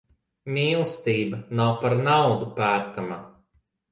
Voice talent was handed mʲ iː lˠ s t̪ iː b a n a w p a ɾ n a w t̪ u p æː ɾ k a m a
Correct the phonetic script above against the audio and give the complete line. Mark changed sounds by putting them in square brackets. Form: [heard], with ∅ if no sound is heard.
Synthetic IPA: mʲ iː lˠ s t̪ iː b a n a w p a ɾ n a w [d̪] u p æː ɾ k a m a